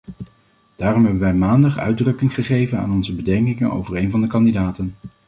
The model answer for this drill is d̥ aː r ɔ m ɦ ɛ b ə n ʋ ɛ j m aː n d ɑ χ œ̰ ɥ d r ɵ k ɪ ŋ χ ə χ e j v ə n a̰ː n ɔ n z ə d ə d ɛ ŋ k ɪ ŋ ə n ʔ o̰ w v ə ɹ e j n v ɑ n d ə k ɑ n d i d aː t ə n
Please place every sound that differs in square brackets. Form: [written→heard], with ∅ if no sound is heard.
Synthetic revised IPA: d̥ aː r ɔ m ɦ ɛ b ə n ʋ ɛ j m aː n d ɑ χ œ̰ ɥ d r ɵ k ɪ ŋ χ ə χ e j v ə n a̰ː n ɔ n z ə [d→b] ə d ɛ ŋ k ɪ ŋ ə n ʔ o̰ w v ə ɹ e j n v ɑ n d ə k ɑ n d i d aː t ə n